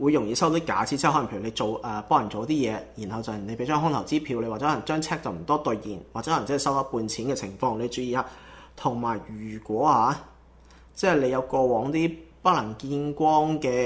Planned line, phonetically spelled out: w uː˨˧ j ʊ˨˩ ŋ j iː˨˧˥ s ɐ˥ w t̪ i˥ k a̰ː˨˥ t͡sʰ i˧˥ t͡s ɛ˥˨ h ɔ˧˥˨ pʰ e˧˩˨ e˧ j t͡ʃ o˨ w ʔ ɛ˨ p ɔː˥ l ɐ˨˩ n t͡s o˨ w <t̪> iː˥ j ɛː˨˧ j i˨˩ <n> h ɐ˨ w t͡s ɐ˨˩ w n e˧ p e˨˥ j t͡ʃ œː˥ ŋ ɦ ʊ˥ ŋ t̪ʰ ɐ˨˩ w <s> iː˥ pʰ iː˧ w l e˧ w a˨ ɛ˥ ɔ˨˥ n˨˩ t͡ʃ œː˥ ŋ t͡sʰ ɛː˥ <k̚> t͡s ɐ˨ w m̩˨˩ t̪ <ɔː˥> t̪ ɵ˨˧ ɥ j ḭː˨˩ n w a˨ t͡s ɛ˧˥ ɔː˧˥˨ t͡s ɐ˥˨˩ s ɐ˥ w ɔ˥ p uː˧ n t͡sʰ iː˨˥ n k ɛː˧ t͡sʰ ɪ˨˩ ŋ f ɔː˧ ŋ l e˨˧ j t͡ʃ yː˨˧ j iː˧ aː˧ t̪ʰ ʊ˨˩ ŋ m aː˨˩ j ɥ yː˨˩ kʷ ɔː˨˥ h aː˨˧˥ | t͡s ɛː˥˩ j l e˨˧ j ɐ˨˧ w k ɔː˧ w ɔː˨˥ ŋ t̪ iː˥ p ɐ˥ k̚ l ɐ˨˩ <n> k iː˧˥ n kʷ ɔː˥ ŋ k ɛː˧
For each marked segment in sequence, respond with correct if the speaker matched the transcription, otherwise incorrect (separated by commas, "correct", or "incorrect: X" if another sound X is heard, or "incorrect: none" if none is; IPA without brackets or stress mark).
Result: correct, correct, incorrect: t͡s, correct, correct, incorrect: ŋ